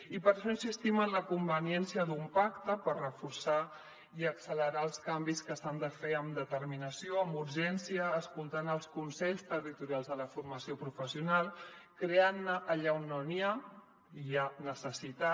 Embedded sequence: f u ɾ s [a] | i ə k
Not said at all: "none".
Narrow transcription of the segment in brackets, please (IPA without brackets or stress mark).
a